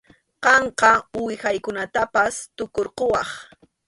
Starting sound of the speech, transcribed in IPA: q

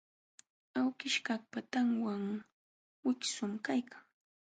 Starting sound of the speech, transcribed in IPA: a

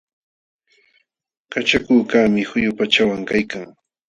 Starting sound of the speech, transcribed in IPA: k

